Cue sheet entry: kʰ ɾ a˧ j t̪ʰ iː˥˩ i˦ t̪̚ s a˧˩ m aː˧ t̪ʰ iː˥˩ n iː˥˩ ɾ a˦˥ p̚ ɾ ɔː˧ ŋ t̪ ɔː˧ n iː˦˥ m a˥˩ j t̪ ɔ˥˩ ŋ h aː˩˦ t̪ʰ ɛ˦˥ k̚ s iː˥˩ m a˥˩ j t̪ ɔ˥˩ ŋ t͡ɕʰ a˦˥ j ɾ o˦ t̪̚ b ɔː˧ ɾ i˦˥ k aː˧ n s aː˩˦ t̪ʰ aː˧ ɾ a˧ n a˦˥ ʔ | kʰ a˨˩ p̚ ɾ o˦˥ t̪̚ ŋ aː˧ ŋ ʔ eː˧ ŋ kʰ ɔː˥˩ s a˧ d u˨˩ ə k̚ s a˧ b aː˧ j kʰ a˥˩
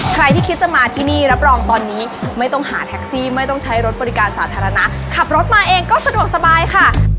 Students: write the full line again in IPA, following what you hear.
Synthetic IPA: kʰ ɾ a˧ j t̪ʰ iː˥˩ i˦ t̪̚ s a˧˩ m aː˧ t̪ʰ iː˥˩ n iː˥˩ ɾ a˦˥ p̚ ɾ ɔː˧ ŋ t̪ ɔː˧ nː iː˦˥ m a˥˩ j t̪ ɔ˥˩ ŋ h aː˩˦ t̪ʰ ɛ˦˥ k̚ s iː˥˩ m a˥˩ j t̪ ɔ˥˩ ŋ t͡ɕʰ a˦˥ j ɾ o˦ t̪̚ b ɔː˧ ɾ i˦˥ k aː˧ n s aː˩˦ t̪ʰ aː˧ ɾ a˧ n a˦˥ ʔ | kʰ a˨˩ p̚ ɾ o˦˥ t̪̚ m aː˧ ʔ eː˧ ŋ k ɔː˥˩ s a˧ d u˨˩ ə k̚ s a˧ b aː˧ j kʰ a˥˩